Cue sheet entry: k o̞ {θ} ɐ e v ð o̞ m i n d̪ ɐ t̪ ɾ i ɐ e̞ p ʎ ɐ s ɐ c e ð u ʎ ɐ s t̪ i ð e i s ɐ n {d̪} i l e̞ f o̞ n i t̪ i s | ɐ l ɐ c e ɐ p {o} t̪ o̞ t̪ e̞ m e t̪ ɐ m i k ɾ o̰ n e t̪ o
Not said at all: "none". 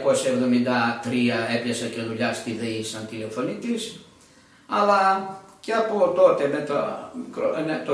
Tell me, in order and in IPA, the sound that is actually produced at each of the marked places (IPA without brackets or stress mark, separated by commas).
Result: s, t̪, o